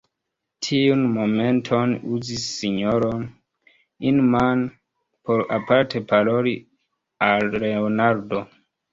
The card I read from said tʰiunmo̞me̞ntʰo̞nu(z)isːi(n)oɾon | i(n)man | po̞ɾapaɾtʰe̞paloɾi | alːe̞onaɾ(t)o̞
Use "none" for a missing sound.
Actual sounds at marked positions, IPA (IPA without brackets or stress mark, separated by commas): z, ɲ, n, d